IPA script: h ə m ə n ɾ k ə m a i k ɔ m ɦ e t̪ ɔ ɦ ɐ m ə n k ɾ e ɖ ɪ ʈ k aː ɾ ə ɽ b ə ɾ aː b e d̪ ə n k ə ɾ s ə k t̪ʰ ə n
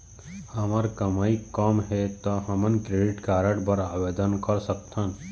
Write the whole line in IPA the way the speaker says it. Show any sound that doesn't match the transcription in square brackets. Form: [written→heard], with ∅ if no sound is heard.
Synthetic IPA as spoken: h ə m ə [n→∅] ɾ k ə m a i k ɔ m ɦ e t̪ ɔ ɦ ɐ m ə n k ɾ e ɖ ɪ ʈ k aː ɾ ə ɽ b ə ɾ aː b e d̪ ə n k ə ɾ s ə k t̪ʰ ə n